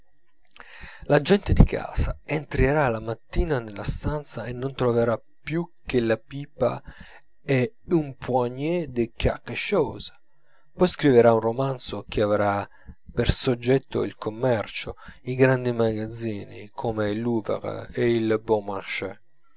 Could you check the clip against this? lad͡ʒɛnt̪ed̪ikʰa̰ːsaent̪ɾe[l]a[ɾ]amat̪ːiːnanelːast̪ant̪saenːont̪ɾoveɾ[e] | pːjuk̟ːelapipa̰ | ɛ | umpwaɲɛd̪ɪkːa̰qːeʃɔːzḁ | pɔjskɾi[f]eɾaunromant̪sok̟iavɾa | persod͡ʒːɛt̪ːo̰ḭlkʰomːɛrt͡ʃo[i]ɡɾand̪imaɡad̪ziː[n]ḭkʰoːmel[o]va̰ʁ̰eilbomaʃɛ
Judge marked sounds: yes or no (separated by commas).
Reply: no, no, no, no, yes, yes, no